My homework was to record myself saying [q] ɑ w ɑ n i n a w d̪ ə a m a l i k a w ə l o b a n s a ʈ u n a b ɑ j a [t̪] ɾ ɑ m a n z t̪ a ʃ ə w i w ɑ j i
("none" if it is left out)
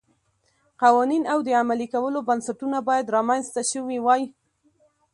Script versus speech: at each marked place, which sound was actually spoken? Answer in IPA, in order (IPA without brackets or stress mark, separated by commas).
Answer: q, d̪